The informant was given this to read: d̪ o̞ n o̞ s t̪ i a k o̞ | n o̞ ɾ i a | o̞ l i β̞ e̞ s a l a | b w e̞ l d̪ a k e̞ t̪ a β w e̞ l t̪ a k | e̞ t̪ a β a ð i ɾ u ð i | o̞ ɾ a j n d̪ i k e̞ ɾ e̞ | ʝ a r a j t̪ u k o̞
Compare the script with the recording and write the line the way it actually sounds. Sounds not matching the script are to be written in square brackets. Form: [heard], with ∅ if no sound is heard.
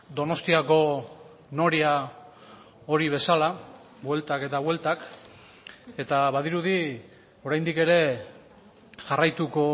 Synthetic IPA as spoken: d̪ o̞ n o̞ s t̪ i a k o̞ | n o̞ ɾ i a | o̞ [ɾ] i β̞ e̞ s a l a | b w e̞ l [t̪] a k e̞ t̪ a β w e̞ l t̪ a k | e̞ t̪ a β a ð i ɾ u ð i | o̞ ɾ a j n d̪ i k e̞ ɾ e̞ | ʝ a r a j t̪ u k o̞